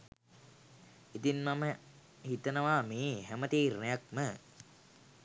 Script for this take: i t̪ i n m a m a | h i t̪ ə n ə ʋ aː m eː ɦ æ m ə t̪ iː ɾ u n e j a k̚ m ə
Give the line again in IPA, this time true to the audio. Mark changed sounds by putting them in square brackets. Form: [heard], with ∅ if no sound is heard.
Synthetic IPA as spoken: i t̪ i n m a m [ə] | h i t̪ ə n ə ʋ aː m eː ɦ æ m ə t̪ iː ɾ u n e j a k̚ m ə